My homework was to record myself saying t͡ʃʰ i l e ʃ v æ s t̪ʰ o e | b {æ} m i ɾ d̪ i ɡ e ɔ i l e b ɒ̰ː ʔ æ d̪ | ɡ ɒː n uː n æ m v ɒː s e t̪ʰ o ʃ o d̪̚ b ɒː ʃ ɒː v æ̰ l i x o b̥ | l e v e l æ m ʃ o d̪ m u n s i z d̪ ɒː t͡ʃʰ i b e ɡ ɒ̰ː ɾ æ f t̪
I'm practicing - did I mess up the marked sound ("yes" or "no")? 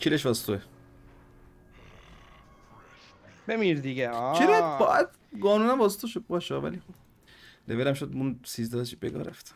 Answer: yes